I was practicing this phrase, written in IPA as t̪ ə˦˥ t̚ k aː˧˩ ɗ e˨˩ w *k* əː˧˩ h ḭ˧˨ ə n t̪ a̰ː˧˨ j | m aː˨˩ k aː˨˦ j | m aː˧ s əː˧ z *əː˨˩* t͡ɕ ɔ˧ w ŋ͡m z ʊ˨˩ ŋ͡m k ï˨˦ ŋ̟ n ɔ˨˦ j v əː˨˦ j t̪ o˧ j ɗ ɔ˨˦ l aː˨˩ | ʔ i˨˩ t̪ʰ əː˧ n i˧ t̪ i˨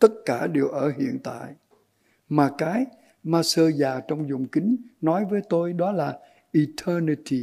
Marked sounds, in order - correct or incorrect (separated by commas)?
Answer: incorrect, incorrect